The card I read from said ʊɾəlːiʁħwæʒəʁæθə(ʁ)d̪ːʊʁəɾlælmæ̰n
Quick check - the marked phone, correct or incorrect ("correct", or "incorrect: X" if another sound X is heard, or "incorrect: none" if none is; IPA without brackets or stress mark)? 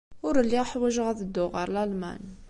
incorrect: none